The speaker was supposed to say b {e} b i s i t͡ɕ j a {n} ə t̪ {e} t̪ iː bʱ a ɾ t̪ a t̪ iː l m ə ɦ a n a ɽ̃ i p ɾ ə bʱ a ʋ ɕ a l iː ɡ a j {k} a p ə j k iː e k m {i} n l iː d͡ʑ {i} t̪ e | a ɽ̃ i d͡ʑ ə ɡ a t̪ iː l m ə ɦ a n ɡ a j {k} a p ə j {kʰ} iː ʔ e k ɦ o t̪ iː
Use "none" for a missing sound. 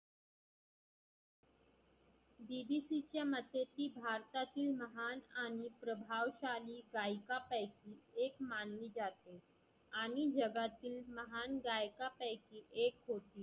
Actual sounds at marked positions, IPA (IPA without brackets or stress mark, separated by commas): i, m, e, k, a, a, k, k